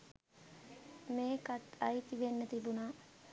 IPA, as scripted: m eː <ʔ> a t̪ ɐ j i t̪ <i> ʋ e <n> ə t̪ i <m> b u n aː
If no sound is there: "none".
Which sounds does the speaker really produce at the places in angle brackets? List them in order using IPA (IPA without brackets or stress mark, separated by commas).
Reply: k, i, nː, none